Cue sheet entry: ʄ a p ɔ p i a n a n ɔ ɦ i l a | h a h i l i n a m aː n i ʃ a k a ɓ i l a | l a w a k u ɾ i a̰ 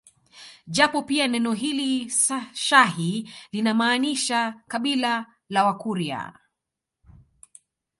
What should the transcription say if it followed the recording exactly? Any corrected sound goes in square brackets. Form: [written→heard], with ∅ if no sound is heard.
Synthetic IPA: ʄ a p ɔ p i a n [a→ɛ] n ɔ ɦ i l [a→i] | [h→ʃ] a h i l i n a m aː n i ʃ a k a ɓ i l a | l a w a k u ɾ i a̰